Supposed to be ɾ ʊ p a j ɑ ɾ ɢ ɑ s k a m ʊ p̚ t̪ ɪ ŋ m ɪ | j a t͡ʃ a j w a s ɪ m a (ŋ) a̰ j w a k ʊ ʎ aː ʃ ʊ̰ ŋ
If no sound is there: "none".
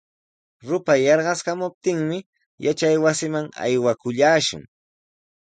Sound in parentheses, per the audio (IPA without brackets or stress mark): ŋ